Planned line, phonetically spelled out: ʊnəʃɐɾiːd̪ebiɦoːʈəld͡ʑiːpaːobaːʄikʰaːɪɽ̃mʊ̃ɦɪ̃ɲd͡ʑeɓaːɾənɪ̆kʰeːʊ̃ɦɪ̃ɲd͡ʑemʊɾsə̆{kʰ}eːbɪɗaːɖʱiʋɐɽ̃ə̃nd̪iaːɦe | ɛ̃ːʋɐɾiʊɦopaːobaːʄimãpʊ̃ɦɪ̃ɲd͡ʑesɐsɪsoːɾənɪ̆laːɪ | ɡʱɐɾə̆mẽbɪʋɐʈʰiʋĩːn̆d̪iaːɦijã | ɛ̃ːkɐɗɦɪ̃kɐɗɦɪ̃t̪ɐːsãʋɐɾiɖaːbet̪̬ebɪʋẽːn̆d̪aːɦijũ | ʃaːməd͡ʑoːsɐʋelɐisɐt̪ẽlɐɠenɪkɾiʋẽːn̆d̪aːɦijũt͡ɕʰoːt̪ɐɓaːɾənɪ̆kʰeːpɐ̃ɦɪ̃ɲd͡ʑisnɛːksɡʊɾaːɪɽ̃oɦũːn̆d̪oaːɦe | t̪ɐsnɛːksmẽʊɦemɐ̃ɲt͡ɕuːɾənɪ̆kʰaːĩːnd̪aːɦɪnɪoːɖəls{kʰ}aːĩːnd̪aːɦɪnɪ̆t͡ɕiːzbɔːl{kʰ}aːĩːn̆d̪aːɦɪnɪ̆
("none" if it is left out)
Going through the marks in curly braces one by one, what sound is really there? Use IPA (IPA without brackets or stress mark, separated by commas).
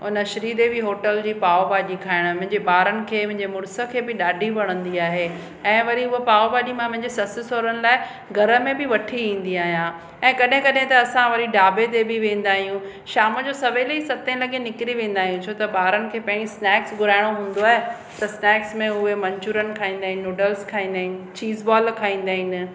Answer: kʰ, kʰ, kʰ